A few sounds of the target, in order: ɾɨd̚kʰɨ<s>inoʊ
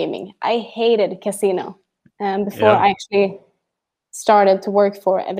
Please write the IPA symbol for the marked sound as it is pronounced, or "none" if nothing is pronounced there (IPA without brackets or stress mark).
s